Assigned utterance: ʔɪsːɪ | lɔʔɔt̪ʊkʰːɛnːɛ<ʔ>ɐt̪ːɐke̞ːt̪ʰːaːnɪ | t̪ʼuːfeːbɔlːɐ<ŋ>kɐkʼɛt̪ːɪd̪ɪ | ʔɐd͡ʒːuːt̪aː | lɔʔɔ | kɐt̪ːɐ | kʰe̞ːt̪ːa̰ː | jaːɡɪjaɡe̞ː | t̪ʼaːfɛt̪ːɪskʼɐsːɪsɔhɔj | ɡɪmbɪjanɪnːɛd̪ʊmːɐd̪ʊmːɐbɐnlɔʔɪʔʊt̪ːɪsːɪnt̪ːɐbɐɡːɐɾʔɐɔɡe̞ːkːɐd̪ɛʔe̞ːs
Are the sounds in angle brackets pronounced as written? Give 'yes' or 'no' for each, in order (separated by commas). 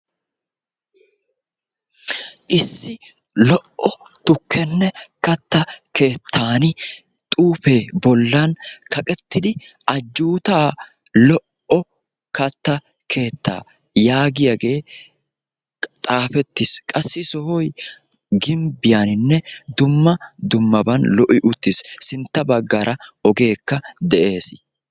no, no